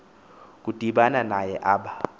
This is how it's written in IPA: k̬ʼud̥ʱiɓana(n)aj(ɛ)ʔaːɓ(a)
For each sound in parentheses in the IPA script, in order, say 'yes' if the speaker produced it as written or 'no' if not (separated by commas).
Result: yes, yes, yes